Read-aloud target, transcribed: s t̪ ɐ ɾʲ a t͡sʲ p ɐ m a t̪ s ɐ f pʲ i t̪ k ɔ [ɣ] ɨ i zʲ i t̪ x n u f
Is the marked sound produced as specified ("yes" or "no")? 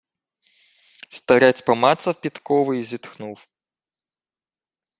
no